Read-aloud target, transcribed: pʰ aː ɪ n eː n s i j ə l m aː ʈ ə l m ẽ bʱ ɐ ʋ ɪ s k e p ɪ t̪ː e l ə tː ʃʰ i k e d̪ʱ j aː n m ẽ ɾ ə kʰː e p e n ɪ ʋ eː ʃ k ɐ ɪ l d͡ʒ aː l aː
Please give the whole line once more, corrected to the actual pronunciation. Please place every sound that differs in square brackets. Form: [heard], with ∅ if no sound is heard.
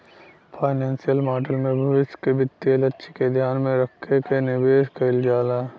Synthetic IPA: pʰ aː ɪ n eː n s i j ə l m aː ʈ ə l m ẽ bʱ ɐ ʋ ɪ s k e [b] ɪ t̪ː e l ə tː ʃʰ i k e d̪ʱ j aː n m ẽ ɾ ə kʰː e [k] e n ɪ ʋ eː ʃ k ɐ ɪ l d͡ʒ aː l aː